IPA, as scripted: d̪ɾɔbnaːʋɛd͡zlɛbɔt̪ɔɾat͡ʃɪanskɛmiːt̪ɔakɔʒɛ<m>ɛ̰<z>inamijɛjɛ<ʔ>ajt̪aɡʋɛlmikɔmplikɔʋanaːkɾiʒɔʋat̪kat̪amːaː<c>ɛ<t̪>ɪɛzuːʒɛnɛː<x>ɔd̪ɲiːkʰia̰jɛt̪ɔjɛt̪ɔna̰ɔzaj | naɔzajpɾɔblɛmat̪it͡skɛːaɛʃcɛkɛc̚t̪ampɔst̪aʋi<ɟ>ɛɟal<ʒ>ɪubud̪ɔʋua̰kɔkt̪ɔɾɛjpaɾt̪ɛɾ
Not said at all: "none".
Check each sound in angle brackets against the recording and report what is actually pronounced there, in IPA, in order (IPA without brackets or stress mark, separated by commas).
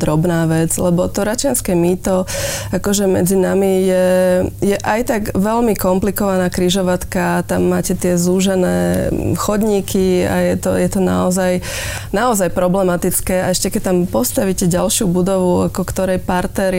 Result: m, d͡z, ʔ, c, t̪, x, c, ʃ